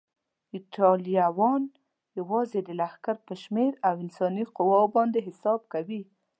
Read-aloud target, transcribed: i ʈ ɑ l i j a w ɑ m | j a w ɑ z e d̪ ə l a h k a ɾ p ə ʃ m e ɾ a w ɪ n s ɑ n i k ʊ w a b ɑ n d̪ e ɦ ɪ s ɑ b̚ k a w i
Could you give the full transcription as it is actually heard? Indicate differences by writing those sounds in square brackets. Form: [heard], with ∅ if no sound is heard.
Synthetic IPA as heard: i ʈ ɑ l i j a w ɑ [n] | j a w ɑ z e d̪ ə l a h k a ɾ p ə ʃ m e ɾ a w ɪ n s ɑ n i [q] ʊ w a b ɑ n d̪ e ɦ ɪ s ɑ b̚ k a w i